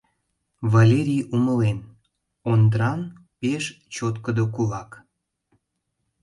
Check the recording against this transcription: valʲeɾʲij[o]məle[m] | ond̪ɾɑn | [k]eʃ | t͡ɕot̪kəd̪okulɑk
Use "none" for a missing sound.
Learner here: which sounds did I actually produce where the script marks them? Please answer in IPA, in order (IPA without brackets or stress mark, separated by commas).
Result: u, n, p